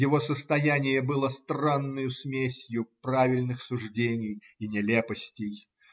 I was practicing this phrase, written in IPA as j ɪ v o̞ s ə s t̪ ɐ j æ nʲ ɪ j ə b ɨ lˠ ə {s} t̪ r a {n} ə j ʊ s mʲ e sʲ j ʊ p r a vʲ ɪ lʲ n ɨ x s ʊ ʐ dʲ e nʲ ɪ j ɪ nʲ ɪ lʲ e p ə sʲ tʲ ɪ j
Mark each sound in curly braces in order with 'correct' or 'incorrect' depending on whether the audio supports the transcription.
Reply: correct, incorrect: nː

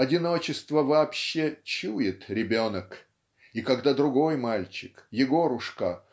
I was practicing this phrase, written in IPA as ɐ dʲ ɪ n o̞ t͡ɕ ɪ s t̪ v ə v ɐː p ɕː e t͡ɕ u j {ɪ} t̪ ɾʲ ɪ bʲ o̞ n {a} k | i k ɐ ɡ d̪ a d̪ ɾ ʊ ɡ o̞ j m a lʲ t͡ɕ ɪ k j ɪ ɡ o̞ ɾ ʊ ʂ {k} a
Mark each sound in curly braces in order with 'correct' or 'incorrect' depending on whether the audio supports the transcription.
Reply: correct, incorrect: ə, correct

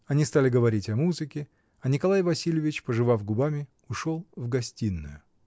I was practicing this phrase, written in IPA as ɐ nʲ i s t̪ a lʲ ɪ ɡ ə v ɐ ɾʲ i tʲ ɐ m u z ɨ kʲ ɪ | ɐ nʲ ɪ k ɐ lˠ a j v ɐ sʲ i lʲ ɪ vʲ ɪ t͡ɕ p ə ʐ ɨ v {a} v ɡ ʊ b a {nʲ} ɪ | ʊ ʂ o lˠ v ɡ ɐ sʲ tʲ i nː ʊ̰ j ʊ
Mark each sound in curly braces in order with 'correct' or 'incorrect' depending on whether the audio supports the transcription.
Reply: correct, incorrect: mʲ

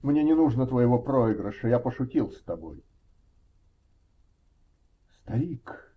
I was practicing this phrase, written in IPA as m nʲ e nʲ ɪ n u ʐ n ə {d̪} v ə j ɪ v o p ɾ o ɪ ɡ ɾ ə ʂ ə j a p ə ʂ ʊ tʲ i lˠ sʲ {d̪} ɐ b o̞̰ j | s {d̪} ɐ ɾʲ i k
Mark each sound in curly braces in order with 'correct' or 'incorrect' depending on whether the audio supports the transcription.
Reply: incorrect: t̪, incorrect: t̪, incorrect: t̪

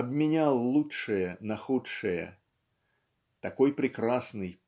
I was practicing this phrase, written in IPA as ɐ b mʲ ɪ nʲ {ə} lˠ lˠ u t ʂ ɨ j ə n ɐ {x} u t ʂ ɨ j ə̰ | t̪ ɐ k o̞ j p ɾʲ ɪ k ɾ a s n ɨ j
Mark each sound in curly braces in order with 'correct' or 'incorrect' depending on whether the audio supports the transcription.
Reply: incorrect: a, correct

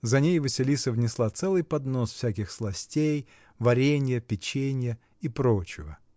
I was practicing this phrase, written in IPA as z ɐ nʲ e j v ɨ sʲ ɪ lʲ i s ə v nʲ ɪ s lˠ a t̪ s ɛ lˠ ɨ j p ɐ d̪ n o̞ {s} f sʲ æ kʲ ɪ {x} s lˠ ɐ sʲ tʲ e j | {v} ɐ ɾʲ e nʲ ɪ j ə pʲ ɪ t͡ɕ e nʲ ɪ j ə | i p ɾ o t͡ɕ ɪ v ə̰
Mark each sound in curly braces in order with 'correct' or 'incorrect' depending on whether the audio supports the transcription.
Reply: correct, correct, correct

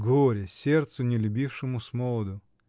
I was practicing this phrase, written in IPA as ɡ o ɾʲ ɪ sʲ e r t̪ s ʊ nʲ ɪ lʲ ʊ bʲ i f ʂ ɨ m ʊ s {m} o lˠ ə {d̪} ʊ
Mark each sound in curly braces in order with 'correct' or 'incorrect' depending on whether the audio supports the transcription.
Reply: correct, correct

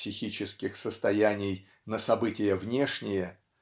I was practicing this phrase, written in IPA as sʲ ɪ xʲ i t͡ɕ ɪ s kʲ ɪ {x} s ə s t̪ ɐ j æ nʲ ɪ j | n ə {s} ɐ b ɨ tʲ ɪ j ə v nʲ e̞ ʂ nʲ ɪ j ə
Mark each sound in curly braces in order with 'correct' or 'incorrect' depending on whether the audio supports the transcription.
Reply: correct, correct

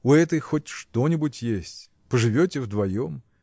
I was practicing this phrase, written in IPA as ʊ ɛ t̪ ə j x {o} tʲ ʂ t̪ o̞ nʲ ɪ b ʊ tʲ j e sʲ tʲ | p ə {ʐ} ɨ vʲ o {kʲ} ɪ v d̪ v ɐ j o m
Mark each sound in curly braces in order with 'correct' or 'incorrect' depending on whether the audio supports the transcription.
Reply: correct, correct, incorrect: tʲ

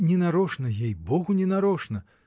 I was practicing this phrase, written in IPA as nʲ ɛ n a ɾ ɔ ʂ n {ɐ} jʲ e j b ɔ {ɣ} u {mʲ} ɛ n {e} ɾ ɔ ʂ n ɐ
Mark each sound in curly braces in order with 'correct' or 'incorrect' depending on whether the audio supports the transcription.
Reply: correct, correct, incorrect: nʲ, incorrect: a

